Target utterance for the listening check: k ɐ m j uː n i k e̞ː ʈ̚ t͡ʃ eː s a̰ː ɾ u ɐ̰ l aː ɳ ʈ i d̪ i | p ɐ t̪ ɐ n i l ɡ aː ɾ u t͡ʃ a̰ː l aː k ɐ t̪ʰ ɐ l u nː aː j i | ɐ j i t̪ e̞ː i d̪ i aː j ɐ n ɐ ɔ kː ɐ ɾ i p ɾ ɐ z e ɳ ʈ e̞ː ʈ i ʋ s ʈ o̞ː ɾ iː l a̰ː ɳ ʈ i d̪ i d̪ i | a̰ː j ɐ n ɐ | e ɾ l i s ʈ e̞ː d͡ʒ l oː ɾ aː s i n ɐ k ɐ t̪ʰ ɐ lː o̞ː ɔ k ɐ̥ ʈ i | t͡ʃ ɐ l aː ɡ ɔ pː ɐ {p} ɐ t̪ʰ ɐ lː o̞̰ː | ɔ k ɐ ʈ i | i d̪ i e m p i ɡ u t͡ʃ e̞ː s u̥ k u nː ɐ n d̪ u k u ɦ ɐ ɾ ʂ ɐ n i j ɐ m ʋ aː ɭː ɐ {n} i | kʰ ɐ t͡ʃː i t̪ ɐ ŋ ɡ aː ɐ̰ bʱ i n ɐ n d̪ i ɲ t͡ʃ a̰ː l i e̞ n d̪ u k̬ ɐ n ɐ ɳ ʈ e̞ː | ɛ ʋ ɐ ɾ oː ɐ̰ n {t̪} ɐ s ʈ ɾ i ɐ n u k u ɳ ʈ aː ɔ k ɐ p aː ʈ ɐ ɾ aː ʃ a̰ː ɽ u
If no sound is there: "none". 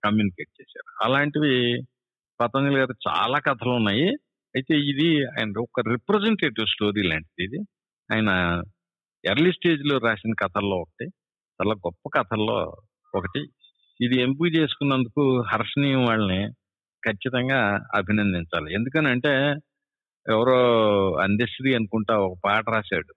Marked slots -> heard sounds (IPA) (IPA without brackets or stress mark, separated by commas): k, n, d̪